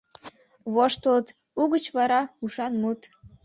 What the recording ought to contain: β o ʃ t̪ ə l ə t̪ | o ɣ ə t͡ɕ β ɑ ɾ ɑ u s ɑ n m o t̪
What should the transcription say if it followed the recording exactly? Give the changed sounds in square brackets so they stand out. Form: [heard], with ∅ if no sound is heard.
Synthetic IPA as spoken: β o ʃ t̪ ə l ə t̪ | [u] ɣ ə t͡ɕ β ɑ ɾ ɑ u [ʃ] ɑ n m [u] t̪